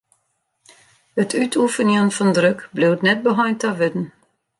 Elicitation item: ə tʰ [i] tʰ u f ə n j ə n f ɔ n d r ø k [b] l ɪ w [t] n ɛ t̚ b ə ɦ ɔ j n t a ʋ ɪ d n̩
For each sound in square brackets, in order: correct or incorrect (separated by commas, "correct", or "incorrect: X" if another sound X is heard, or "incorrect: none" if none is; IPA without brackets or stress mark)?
incorrect: y, correct, correct